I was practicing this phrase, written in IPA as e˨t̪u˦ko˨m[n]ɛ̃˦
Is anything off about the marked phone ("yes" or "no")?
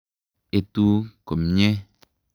yes